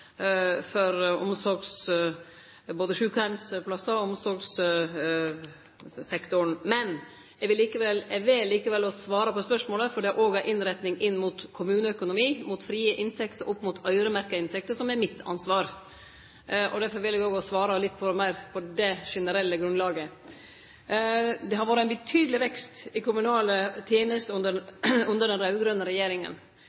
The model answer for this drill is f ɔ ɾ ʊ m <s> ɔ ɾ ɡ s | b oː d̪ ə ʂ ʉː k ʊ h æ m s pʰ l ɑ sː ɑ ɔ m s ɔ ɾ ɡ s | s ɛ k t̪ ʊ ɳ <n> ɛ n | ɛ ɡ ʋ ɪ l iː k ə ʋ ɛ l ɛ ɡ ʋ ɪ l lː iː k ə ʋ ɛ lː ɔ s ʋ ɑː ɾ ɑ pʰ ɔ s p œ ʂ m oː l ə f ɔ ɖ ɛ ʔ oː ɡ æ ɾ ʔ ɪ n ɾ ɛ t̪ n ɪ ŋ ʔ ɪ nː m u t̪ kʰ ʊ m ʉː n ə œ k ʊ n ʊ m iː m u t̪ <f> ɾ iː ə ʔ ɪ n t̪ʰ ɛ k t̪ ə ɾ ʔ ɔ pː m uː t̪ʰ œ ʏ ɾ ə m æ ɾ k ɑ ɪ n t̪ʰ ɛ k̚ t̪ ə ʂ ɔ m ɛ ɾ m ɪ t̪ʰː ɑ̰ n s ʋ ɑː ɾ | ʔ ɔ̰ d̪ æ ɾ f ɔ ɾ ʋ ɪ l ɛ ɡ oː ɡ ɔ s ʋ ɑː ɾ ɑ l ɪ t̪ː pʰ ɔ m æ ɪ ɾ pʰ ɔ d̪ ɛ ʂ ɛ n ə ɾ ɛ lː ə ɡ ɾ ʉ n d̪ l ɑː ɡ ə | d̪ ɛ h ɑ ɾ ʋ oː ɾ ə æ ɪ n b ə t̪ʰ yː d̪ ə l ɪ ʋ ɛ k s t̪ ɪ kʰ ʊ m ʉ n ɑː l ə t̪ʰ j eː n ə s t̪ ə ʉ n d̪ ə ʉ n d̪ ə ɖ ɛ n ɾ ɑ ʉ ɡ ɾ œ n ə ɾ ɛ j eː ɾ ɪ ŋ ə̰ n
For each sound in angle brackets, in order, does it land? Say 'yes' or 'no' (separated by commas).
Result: yes, no, yes